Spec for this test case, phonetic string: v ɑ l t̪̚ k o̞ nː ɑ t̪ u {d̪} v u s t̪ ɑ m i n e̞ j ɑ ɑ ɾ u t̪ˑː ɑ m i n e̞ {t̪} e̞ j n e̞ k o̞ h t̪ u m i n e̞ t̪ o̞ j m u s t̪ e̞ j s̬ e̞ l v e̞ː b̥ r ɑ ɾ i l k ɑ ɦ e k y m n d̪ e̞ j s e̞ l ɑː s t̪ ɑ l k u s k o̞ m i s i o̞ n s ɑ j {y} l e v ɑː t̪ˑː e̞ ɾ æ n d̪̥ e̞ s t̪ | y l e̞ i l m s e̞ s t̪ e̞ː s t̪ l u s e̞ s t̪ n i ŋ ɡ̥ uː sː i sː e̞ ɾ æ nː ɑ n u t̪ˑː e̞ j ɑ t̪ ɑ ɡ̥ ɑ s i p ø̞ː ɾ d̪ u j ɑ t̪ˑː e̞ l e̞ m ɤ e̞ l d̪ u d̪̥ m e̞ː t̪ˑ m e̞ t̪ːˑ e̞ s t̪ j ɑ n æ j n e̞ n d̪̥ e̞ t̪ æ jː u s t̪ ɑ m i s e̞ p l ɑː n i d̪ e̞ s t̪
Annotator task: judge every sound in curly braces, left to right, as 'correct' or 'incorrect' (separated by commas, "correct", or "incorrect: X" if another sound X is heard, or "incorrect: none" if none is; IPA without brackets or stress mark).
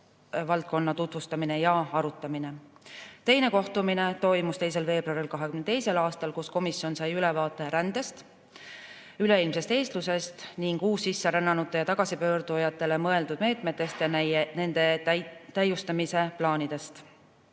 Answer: incorrect: t̪, correct, correct